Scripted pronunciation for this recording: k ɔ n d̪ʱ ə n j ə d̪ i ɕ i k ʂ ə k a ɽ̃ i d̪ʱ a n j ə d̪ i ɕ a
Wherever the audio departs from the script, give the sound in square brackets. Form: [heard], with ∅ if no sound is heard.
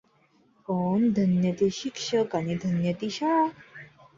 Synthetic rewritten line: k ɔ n d̪ʱ ə n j ə [t̪] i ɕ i k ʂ ə k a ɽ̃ i d̪ʱ [ə] n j ə [t̪] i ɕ a